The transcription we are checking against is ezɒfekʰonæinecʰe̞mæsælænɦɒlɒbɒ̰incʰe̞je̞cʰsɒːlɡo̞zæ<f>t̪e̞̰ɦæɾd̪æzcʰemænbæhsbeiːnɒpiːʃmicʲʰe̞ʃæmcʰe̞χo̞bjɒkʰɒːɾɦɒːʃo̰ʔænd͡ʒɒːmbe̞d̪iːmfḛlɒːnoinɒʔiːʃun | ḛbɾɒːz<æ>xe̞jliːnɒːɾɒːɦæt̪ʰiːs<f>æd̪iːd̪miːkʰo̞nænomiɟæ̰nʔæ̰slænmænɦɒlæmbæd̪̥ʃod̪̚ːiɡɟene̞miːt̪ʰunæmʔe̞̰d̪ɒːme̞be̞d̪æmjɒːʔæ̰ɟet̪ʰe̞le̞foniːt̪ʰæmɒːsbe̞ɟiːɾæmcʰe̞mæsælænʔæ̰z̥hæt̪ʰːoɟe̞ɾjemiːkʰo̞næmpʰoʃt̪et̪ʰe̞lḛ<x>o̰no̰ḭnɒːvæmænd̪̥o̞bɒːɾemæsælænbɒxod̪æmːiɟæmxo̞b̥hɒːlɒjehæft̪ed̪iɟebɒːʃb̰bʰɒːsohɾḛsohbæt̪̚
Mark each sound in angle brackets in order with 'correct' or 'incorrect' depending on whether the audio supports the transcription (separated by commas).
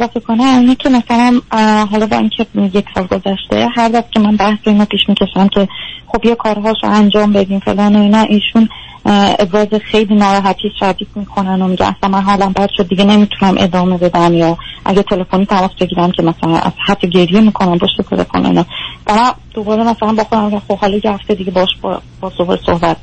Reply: incorrect, incorrect, incorrect, incorrect